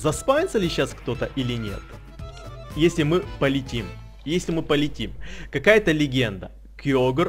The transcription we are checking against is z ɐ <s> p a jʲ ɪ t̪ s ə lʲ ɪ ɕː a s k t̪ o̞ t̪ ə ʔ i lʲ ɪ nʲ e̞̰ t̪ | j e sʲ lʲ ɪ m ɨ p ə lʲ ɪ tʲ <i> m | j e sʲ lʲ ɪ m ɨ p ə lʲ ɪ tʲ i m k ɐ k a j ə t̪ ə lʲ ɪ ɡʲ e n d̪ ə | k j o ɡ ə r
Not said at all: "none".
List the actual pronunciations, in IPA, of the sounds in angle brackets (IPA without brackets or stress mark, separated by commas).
s, i